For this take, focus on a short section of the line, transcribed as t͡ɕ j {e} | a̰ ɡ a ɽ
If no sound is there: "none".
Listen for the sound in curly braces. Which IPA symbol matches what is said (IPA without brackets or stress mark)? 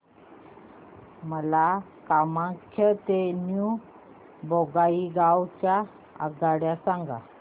a